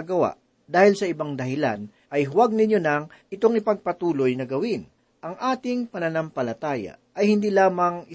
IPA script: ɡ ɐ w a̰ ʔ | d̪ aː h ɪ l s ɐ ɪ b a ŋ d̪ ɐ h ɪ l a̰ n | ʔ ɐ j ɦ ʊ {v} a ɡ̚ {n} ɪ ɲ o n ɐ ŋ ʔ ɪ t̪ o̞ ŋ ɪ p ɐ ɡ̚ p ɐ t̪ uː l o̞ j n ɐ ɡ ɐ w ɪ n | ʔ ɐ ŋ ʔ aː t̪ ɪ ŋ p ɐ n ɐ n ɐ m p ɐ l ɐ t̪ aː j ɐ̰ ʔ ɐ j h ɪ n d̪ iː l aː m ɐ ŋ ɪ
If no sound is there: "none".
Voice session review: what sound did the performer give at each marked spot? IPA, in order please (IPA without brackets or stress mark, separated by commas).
w, n